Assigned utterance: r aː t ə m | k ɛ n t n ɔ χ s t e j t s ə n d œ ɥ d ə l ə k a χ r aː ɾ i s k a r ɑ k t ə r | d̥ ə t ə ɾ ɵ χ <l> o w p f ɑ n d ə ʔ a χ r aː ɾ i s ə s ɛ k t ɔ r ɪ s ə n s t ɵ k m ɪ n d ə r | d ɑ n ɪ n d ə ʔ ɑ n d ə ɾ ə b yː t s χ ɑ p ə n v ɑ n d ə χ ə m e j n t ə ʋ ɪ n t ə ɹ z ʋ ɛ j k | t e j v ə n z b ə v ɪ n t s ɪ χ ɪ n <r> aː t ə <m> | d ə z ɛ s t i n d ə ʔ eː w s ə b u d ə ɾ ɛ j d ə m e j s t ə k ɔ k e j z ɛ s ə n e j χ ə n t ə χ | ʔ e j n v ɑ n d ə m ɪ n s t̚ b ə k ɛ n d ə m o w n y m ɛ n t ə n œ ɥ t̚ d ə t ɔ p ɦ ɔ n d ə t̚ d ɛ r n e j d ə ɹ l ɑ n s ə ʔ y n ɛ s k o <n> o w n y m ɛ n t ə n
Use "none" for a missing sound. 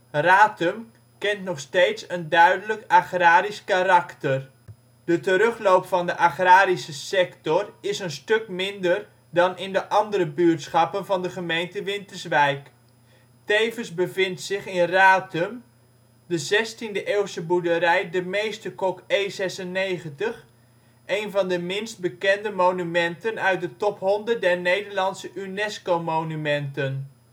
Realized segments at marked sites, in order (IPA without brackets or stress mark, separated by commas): l, r, m, m